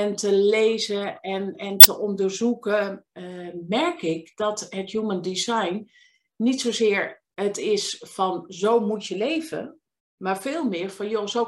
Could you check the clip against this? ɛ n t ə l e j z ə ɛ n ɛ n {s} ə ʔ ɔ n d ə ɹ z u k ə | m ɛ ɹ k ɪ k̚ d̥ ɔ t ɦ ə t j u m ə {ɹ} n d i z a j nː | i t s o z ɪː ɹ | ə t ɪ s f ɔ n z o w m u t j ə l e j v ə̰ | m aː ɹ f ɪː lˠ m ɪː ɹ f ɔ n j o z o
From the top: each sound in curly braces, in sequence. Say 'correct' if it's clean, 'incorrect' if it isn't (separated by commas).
incorrect, incorrect